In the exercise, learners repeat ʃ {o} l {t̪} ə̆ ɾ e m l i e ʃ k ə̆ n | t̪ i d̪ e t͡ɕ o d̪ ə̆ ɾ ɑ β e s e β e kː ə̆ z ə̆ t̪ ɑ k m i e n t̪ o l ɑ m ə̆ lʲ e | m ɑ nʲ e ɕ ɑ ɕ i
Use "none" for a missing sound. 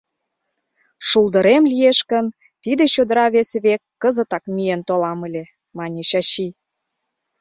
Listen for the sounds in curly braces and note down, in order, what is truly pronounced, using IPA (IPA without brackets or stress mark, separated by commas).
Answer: u, d̪